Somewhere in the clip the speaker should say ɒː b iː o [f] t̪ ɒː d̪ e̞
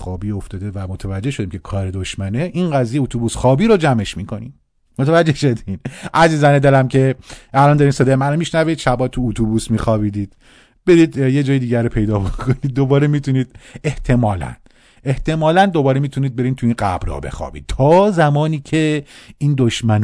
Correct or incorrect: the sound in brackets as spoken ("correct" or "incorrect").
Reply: correct